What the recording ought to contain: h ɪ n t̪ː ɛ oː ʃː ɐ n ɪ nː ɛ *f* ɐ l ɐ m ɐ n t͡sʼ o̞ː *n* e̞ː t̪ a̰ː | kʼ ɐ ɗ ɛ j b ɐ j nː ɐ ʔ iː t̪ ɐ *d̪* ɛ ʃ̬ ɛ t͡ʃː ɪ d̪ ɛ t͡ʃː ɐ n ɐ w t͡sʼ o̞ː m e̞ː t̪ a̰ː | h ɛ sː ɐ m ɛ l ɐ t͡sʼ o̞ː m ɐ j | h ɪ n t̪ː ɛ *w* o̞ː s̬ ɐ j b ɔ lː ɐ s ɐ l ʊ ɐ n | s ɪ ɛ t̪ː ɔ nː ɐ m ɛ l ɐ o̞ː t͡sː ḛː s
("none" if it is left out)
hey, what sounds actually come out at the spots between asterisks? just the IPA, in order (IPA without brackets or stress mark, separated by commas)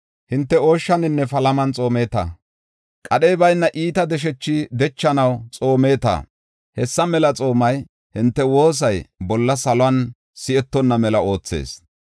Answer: f, m, d̪, w